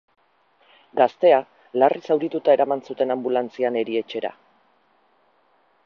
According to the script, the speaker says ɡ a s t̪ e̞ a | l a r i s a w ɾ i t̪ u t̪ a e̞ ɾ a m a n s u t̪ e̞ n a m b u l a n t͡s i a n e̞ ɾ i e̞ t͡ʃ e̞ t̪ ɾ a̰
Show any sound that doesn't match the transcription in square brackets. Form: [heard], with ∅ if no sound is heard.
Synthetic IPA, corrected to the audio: ɡ a s t̪ e̞ a | l a r i s a w ɾ i t̪ u t̪ a e̞ ɾ a m a n s u t̪ e̞ n a m b u l a n t͡s i a n e̞ ɾ i e̞ t͡ʃ e̞ [∅] ɾ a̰